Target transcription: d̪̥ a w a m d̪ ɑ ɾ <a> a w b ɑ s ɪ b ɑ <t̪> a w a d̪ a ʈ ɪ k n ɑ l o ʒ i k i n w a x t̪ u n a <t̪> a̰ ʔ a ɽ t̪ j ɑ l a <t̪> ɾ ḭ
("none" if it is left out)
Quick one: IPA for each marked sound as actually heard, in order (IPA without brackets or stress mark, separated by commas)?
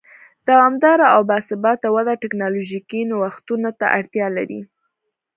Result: a, t̪, t̪, none